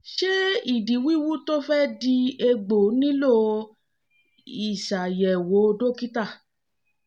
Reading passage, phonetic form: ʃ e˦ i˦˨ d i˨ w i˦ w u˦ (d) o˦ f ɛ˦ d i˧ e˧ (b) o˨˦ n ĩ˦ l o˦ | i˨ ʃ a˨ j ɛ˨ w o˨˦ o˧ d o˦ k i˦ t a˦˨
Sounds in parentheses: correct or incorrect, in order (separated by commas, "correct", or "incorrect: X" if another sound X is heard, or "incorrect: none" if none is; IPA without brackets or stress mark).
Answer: incorrect: t, incorrect: ɡ͡b